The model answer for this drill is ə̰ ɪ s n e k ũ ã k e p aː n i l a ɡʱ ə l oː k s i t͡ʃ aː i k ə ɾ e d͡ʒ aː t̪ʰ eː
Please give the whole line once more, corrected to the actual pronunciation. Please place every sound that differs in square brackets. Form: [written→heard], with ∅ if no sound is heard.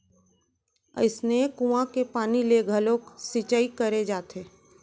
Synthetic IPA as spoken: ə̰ ɪ s n e k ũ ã k e p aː n i l [a→e] ɡʱ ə l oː k s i t͡ʃ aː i k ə ɾ e d͡ʒ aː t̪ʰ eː